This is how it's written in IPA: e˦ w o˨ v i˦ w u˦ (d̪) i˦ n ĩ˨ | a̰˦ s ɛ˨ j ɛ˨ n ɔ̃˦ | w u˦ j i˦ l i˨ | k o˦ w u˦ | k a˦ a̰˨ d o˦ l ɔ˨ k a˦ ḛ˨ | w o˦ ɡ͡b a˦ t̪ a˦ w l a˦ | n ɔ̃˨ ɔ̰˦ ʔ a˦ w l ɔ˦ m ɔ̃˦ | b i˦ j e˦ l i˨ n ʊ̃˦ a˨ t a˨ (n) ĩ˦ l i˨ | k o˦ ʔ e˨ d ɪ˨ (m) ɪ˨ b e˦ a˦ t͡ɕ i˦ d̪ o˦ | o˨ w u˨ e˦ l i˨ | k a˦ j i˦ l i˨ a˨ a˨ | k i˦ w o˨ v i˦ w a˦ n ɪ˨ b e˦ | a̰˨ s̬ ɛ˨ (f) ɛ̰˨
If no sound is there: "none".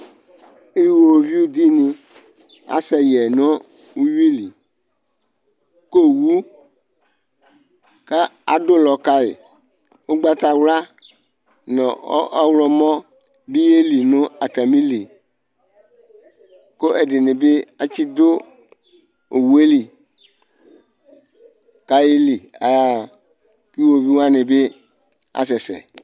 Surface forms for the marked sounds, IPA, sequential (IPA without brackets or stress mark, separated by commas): d̪, m, n, s